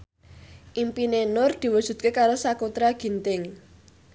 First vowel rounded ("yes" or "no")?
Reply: no